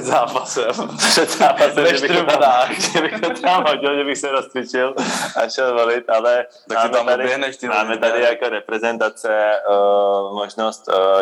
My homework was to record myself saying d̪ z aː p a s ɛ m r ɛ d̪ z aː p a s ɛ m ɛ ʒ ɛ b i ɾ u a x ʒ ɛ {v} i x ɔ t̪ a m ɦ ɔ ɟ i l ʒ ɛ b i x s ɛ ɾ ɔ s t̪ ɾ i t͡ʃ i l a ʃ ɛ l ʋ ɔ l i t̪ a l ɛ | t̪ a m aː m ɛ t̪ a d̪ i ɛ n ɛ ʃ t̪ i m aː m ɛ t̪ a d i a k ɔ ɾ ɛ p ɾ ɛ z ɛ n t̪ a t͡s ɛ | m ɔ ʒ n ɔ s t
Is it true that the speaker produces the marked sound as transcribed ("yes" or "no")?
no